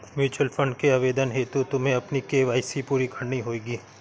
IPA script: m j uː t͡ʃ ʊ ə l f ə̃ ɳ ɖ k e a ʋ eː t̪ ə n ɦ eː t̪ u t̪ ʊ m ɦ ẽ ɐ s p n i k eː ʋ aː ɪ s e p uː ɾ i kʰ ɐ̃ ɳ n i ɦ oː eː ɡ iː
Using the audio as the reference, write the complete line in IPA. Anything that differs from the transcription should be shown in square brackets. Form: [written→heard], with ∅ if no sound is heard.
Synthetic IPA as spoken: m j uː t͡ʃ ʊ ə l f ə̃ ɳ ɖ k e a ʋ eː [t̪→d̪] ə n ɦ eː t̪ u t̪ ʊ m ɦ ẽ ɐ [s→∅] p n i k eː ʋ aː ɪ s [e→i] p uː ɾ i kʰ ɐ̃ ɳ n i ɦ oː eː ɡ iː